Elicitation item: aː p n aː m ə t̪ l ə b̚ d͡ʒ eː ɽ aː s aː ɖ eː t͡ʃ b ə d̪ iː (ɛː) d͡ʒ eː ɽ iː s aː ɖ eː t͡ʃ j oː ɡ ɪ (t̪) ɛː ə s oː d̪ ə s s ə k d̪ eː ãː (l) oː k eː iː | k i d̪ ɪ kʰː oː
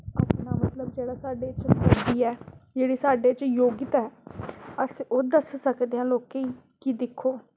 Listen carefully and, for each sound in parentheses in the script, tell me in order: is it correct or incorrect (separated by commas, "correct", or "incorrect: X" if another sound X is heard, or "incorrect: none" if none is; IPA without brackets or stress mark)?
correct, correct, correct